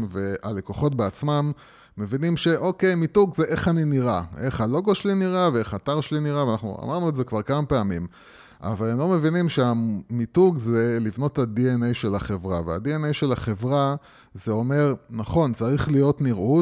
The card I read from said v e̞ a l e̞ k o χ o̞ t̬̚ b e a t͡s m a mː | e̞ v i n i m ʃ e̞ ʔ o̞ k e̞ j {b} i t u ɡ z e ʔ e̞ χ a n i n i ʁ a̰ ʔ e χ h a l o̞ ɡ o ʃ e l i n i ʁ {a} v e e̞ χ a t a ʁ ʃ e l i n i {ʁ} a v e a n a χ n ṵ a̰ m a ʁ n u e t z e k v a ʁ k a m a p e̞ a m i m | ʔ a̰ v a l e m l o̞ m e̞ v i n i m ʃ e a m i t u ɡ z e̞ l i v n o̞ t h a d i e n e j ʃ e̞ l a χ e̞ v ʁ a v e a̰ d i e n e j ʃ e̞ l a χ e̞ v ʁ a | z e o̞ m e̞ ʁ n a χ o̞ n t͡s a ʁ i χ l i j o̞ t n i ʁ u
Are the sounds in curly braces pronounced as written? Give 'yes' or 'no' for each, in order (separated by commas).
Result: no, yes, yes